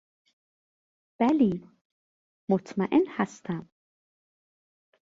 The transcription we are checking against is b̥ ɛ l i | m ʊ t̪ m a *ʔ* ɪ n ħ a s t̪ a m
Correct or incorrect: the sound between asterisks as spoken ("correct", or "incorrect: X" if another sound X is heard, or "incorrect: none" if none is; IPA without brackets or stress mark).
correct